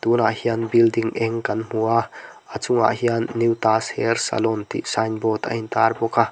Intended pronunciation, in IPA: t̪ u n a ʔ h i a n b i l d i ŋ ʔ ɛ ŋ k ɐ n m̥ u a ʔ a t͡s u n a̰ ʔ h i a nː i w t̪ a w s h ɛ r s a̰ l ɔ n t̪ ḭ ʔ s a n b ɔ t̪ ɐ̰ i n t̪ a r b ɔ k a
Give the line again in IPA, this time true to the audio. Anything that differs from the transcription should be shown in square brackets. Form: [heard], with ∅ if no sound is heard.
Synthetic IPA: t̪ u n a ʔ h i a n b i l d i ŋ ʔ ɛ ŋ k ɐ n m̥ u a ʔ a t͡s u [ŋ] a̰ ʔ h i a nː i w t̪ a [∅] s h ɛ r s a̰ l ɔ n t̪ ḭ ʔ s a n b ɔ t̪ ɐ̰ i n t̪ a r b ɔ k a